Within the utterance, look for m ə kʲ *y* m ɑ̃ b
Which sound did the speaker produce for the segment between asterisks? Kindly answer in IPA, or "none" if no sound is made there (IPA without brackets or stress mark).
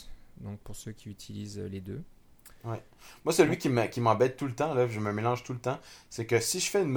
i